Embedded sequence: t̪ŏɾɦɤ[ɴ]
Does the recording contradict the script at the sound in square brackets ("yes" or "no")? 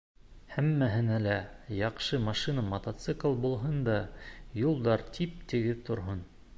yes